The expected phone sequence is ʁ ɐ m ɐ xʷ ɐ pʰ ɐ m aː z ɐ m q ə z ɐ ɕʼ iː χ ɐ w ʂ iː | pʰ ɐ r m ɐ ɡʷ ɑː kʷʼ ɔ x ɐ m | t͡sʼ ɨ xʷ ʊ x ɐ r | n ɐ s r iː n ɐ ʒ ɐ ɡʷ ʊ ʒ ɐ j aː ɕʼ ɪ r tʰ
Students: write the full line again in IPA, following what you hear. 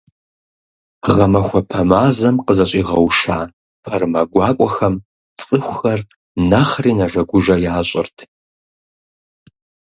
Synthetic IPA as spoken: ʁ ɐ m ɐ xʷ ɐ pʰ ɐ m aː z ɐ m q ə z ɐ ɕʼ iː ʁ ɐ w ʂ aː | pʰ ɐ r m ɐ ɡʷ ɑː kʷʼ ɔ x ɐ m | t͡sʼ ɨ xʷ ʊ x ɐ r | n ɐ χ r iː n ɐ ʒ ɐ ɡʷ ʊ ʒ ɐ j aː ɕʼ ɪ r tʰ